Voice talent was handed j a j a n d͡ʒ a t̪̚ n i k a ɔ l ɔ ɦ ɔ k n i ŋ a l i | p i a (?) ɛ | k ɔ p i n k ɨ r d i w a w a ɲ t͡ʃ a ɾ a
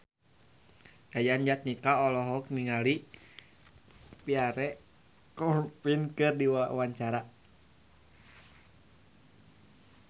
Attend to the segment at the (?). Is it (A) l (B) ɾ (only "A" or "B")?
B